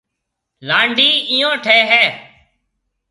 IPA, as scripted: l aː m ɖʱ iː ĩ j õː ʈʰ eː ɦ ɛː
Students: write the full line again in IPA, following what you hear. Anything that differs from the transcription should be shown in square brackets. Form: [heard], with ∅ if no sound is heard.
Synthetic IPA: l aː [ɳ] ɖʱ iː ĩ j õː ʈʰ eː ɦ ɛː